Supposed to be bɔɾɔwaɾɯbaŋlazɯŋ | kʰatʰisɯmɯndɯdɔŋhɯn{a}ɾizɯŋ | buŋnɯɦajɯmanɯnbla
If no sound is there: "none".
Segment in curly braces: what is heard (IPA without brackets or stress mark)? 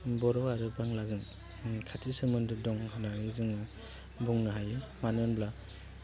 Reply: a